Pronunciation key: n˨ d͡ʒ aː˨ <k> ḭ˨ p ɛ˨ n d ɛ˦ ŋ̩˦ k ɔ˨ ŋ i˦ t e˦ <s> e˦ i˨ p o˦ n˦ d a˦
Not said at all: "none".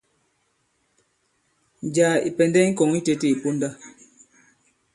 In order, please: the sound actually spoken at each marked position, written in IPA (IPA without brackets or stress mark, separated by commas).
none, t